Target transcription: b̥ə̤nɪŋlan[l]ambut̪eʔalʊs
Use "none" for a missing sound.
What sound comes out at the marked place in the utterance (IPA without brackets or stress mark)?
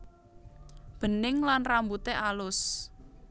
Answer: r